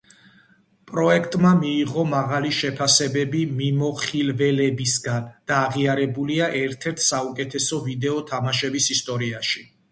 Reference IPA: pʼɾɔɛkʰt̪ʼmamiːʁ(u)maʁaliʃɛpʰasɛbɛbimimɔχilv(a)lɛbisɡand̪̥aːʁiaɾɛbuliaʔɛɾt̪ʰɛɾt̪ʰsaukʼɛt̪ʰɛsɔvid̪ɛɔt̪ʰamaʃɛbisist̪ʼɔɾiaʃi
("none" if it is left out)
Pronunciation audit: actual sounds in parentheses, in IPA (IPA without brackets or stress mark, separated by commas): ɔ, ɛ